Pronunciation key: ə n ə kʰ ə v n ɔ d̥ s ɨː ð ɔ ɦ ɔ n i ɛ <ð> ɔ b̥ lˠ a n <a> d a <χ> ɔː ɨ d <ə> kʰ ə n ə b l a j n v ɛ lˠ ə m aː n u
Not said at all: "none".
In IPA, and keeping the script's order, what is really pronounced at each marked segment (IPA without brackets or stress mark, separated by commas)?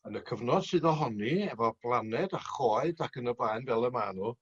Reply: v, ɛ, χ, a